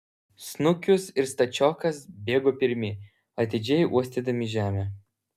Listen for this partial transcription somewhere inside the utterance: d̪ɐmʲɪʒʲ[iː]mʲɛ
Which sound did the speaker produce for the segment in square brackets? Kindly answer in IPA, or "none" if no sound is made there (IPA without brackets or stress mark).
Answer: æː